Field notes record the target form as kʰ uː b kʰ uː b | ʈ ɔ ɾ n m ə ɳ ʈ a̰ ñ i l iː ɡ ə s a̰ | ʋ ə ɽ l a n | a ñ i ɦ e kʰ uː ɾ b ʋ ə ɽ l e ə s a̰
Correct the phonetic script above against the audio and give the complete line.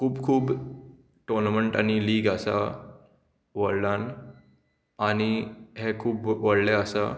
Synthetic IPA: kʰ uː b kʰ uː b | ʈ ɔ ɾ n m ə ɳ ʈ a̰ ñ i l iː ɡ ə s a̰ | ʋ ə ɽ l a n | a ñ i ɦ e kʰ uː b ʋ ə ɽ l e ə s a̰

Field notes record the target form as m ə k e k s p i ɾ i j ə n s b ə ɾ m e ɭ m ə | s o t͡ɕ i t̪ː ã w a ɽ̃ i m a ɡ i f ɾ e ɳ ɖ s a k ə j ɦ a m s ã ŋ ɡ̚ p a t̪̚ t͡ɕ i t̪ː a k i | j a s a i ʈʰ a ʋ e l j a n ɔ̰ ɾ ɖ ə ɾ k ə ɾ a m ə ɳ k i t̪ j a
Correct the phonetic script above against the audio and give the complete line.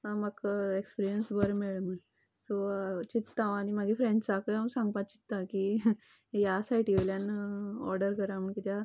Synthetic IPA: m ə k e k s p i ɾ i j ə n s b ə ɾ m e ɭ m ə | s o t͡ɕ i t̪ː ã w a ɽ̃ i m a ɡ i f ɾ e ɳ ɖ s a k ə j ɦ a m s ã ŋ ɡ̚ p a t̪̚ t͡ɕ i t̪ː a k i | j a s a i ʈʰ i ʋ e l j a n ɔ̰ ɾ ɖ ə ɾ k ə ɾ a m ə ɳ k i t̪ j a

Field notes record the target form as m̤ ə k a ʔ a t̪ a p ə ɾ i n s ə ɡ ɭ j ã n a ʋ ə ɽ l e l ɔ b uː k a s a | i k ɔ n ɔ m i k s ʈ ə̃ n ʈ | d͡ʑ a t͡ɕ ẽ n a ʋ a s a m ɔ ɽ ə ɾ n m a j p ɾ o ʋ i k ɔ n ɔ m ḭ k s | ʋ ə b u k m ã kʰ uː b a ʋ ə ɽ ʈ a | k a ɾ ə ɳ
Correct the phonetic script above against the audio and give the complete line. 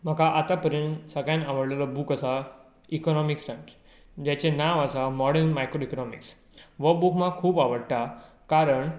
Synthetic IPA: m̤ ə k a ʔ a t̪ a p ə ɾ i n s ə ɡ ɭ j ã n a ʋ ə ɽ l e l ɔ b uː k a s a | i k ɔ n ɔ m i k s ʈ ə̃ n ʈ | d͡ʑ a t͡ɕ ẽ n a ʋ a s a m ɔ ɽ ə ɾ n m a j k ɾ o i k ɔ n ɔ m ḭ k s | ʋ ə b u k m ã kʰ uː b a ʋ ə ɽ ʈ a | k a ɾ ə ɳ

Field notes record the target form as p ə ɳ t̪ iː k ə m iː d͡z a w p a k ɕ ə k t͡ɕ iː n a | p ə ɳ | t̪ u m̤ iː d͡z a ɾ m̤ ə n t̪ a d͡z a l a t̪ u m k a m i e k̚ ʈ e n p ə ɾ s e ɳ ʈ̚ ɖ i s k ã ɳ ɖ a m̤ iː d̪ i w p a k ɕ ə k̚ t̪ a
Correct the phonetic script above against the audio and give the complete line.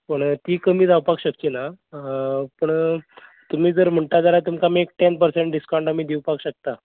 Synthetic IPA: p ə ɳ t̪ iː k ə m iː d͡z a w p a k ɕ ə k t͡ɕ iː n a | p ə ɳ | t̪ u m̤ iː d͡z ə ɾ m̤ ə ɳ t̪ a d͡z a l a t̪ u m k a m i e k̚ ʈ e n p ə ɾ s e ɳ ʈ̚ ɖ i s k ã ɳ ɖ a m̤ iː d̪ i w p a k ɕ ə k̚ t̪ a

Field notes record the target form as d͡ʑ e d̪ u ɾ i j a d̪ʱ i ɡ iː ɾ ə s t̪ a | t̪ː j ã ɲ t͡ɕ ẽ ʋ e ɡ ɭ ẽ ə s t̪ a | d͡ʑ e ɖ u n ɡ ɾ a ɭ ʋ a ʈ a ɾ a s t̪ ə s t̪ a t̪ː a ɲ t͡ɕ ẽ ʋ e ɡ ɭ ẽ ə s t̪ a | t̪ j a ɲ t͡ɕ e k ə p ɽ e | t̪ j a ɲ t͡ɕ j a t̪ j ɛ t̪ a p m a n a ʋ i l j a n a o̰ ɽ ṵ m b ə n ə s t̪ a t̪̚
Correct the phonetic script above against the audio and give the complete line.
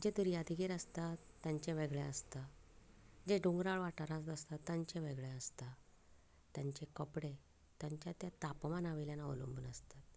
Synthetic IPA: d͡ʑ e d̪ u ɾ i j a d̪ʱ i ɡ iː ɾ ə s t̪ a | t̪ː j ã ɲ t͡ɕ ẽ ʋ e ɡ ɭ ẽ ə s t̪ a | d͡ʑ e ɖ u ŋ ɡ ɾ a ɭ ʋ a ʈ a ɾ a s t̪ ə s t̪ a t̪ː a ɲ t͡ɕ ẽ ʋ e ɡ ɭ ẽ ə s t̪ a | t̪ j a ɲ t͡ɕ e k ə p ɽ e | t̪ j a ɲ t͡ɕ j a t̪ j a t̪ a p m a n a ʋ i l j a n a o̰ l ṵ m b ə n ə s t̪ a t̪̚

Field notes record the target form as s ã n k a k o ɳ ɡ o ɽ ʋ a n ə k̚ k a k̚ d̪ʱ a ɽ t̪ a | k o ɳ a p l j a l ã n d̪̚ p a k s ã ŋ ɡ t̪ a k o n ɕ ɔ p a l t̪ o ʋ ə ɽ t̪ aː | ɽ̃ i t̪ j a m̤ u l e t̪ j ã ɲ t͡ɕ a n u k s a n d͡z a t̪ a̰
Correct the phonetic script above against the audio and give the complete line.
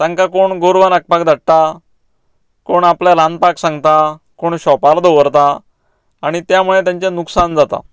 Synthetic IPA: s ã ŋ k a k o ɳ ɡ o ɾ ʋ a n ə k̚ p a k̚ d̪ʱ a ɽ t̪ a | k o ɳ a p l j a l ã n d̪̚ p a k s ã ŋ ɡ t̪ a k o ɳ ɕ ɔ p a l d̪ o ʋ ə ɾ t̪ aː | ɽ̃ i t̪ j a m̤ u ɭ e t̪ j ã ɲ t͡ɕ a n u k s a n d͡z a t̪ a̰

